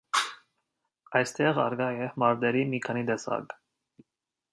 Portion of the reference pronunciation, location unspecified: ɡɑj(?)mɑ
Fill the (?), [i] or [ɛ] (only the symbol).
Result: ɛ